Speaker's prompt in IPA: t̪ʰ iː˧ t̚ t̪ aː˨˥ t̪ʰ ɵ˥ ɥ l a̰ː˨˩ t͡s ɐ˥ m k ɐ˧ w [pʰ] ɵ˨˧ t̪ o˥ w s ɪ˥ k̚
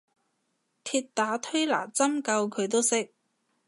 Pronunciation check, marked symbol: incorrect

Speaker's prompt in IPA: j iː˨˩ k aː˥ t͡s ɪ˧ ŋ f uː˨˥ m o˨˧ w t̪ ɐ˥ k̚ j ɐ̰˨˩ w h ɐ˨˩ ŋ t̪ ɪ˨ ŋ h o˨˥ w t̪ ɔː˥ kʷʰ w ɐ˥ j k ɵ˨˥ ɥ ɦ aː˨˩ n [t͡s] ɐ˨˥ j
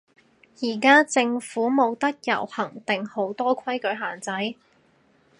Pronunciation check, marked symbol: correct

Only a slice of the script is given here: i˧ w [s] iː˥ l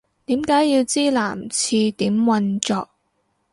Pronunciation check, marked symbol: incorrect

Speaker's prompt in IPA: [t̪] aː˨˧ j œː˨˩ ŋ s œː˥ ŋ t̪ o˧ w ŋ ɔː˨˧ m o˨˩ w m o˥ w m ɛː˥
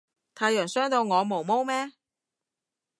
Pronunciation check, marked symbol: incorrect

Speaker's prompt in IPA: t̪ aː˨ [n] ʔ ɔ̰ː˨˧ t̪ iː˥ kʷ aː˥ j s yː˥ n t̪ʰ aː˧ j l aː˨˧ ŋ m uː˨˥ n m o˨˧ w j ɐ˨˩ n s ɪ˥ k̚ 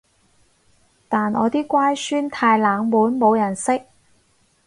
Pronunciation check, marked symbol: correct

